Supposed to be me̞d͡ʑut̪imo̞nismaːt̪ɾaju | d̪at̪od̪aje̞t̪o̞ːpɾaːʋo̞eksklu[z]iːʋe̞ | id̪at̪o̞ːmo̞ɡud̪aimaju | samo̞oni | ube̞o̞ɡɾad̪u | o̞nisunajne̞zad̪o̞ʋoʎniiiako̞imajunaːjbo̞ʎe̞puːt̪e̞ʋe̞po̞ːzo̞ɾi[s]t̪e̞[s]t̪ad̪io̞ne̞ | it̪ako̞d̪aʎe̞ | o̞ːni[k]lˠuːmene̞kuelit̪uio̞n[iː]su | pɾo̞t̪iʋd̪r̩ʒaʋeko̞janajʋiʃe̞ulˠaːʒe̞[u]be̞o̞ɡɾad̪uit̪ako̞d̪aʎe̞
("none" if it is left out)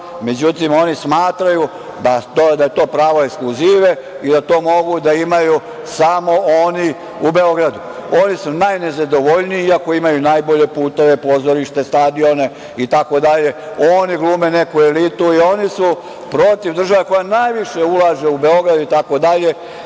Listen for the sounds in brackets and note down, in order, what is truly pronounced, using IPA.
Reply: z, ʃ, s, ɡ, i, u

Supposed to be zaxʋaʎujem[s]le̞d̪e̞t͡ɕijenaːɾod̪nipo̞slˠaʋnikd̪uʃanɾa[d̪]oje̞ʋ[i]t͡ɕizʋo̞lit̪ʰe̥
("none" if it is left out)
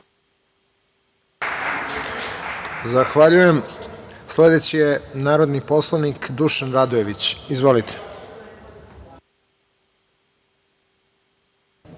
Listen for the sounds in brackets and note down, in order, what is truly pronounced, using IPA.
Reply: s, d̪, i

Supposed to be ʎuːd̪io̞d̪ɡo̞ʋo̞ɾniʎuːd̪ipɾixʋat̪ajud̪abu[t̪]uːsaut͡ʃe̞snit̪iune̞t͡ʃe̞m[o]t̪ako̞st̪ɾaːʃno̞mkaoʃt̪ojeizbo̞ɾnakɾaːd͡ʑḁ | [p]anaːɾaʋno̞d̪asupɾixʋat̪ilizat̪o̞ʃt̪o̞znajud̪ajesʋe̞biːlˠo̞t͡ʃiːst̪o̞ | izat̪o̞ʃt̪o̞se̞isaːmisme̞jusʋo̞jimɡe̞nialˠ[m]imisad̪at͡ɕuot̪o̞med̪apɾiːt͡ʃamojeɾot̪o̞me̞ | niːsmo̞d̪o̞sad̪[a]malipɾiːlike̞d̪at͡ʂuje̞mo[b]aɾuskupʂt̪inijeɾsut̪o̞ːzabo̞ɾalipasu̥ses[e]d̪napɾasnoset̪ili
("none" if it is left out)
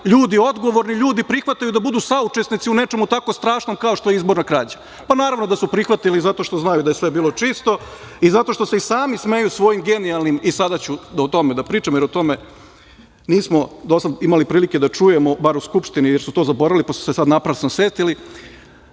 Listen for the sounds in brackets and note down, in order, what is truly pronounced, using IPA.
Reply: d̪, u, p, n, i, b, a

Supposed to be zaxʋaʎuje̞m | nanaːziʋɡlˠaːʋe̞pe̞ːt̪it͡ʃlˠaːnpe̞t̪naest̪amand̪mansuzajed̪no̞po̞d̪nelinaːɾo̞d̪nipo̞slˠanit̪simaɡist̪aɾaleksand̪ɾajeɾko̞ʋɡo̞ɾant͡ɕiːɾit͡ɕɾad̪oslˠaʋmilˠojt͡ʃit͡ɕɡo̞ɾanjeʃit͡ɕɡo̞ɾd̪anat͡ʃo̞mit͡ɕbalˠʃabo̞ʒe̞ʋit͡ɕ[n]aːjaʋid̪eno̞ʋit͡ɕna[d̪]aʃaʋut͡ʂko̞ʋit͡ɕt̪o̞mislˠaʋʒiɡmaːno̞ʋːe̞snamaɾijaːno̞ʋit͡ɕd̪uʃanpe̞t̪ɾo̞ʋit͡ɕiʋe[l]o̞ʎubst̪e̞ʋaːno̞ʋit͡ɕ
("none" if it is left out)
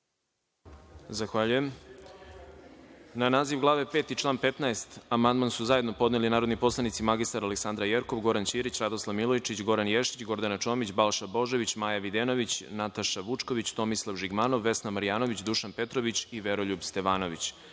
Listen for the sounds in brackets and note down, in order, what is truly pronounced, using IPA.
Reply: m, t̪, ɾ

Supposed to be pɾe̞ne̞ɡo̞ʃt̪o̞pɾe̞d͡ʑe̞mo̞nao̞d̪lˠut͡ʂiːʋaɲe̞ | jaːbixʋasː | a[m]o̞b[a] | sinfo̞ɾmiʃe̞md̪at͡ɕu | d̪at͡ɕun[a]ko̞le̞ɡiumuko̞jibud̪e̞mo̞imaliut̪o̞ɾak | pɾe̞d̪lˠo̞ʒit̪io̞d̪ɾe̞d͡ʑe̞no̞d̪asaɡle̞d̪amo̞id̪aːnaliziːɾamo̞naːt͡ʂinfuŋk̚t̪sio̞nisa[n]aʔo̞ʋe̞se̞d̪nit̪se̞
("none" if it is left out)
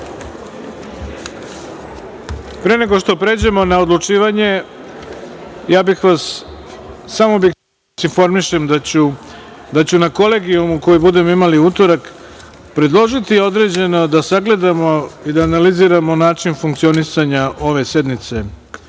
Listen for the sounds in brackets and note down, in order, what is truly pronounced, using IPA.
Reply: m, i, a, ɲ

